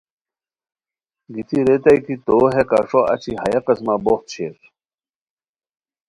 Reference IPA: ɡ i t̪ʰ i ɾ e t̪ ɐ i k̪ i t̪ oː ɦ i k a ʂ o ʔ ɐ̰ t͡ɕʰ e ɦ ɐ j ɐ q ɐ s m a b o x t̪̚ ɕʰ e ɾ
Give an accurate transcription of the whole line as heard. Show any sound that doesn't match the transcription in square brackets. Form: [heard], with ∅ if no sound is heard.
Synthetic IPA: ɡ i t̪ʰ i ɾ e t̪ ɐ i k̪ i t̪ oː ɦ [e] k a ʂ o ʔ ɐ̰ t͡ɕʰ [i] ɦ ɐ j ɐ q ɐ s m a b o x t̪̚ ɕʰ e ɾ